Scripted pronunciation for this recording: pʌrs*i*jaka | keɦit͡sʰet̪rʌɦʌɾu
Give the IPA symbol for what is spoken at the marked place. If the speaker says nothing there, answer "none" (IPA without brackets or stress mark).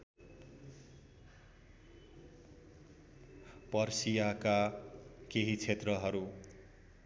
i